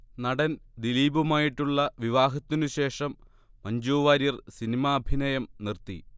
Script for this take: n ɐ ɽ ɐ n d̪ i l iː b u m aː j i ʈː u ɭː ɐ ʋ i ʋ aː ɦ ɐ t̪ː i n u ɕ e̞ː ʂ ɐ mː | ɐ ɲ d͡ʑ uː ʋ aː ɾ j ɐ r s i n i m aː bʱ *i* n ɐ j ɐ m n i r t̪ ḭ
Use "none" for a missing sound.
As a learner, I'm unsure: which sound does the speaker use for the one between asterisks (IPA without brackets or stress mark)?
i